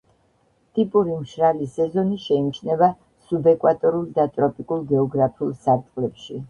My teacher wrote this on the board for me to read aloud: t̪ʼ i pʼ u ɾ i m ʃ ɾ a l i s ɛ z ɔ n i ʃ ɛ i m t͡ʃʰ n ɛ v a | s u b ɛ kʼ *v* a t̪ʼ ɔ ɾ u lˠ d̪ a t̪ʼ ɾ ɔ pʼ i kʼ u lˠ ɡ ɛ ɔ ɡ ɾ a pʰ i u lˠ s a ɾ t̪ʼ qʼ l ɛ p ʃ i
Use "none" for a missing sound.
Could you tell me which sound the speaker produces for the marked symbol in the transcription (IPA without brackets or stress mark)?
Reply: w